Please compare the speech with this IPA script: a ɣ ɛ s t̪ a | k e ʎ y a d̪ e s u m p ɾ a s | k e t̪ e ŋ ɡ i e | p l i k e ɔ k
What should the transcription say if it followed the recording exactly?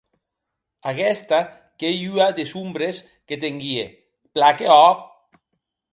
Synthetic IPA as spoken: a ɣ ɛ s t̪ a | k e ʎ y a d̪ e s u m b ɾ e s | k e t̪ e ŋ ɡ i e | p l a k e ɔ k